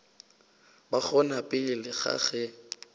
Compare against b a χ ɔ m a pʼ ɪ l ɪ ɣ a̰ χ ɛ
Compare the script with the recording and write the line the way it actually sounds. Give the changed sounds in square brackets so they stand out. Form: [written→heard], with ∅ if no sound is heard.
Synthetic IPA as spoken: b a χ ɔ [m→n] a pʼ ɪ l ɪ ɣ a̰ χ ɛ